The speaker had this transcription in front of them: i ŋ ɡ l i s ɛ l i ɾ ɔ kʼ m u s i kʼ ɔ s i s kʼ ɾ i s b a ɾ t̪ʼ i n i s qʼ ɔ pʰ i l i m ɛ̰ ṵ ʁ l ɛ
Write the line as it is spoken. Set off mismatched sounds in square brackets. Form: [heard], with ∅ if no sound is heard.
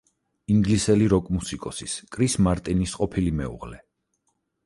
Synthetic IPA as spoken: i ŋ ɡ l i s ɛ l i ɾ ɔ kʼ m u s i kʼ ɔ s i s kʼ ɾ i s [m] a ɾ t̪ʼ i n i s qʼ ɔ pʰ i l i m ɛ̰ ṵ ʁ l ɛ